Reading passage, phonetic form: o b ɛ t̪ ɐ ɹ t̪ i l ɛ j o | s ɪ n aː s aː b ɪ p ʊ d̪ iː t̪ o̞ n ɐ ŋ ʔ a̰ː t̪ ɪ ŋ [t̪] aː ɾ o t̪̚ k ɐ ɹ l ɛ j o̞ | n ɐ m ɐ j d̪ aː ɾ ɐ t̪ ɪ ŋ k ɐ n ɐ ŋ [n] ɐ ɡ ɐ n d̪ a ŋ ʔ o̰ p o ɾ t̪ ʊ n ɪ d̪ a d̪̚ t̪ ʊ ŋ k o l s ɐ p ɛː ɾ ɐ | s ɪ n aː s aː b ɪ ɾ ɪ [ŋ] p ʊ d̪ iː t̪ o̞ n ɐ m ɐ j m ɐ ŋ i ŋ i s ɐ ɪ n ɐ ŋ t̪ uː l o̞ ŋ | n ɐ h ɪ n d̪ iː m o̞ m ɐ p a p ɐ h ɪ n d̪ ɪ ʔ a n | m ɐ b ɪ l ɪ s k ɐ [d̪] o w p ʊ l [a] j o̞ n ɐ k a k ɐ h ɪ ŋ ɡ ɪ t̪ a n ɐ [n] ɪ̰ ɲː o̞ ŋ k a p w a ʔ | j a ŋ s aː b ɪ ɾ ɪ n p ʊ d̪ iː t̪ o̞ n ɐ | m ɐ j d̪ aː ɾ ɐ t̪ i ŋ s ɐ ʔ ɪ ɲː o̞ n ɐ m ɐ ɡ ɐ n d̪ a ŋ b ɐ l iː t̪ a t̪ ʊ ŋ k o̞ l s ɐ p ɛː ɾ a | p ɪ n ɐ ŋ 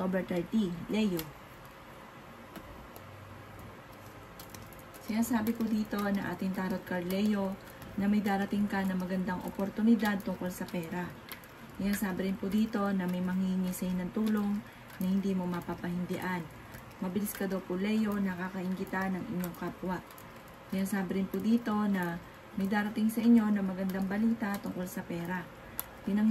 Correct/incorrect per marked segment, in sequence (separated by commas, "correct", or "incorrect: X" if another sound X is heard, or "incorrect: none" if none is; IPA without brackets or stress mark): correct, incorrect: m, incorrect: n, correct, incorrect: ɛ, incorrect: ŋ